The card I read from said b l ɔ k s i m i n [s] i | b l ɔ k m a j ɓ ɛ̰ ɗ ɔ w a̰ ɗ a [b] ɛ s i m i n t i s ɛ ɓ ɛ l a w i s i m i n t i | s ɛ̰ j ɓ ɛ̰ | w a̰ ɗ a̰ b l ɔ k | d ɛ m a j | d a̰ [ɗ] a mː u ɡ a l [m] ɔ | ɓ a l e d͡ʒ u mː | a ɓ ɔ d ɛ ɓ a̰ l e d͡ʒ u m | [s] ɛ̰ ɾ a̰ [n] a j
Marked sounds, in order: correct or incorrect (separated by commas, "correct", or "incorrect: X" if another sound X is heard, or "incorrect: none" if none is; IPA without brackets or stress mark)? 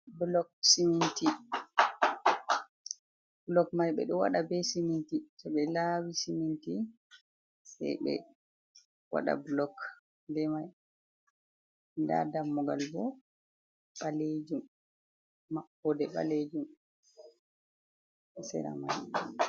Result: incorrect: t, correct, incorrect: d, incorrect: b, correct, incorrect: m